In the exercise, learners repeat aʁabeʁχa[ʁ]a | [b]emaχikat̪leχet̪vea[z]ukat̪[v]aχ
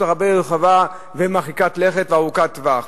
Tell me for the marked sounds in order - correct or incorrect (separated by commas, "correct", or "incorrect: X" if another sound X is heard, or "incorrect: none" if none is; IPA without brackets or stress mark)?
incorrect: v, incorrect: v, incorrect: ʁ, correct